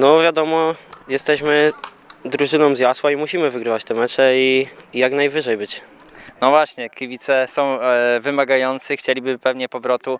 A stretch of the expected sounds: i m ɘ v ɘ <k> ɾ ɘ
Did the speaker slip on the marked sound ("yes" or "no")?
yes